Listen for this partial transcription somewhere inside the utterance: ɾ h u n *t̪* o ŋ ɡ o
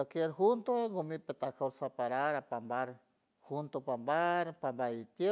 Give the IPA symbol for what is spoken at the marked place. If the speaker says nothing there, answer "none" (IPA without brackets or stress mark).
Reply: t̪